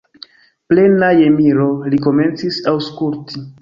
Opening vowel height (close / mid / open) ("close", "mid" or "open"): mid